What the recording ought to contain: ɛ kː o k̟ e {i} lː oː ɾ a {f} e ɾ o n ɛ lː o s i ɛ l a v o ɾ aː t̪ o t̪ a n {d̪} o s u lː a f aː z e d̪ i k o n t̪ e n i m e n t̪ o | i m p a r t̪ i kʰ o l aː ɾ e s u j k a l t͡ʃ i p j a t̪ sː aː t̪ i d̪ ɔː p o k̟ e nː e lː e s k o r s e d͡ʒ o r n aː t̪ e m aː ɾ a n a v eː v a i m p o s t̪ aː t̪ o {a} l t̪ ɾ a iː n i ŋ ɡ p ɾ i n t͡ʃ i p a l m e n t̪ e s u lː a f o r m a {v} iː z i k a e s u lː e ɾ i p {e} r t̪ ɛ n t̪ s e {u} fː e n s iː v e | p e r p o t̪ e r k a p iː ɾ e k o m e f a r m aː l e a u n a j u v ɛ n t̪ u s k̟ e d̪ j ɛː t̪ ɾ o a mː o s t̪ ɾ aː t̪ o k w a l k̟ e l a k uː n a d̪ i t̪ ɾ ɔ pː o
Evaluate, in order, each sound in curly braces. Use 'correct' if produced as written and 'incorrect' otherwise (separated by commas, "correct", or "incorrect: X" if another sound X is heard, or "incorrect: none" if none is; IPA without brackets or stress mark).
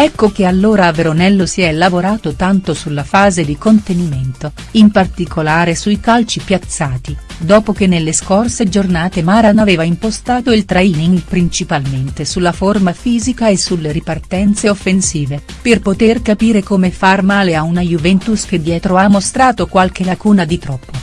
incorrect: a, incorrect: v, incorrect: t̪, incorrect: i, incorrect: f, incorrect: a, incorrect: o